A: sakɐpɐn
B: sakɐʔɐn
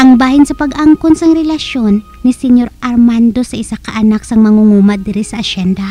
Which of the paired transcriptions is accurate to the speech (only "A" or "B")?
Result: B